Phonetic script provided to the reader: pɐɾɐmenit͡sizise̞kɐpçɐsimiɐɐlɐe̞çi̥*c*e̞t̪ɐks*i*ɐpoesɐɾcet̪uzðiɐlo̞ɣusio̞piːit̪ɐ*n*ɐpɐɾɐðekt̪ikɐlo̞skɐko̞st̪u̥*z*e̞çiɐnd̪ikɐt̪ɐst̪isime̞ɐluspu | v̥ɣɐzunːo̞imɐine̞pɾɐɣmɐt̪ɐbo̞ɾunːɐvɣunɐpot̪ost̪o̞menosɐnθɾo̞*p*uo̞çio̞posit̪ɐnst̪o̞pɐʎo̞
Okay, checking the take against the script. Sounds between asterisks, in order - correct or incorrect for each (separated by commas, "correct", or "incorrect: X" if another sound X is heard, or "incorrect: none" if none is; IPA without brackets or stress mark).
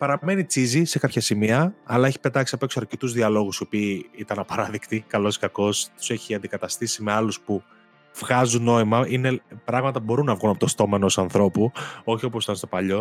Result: incorrect: p, correct, correct, incorrect: s, correct